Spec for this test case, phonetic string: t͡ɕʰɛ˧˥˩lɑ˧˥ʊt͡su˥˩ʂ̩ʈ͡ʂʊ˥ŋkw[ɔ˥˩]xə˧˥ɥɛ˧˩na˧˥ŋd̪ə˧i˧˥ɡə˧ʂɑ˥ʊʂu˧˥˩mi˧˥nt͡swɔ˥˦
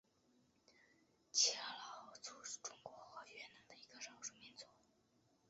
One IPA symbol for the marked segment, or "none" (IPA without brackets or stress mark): ɔ˧˥